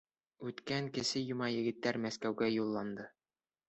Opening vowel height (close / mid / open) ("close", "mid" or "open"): close